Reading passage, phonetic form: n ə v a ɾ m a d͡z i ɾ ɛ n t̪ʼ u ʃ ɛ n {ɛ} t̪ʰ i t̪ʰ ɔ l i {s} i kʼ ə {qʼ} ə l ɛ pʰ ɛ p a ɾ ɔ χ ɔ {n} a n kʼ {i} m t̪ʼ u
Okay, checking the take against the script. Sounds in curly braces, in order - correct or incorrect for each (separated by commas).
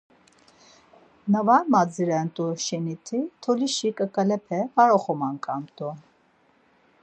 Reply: incorrect, incorrect, incorrect, incorrect, incorrect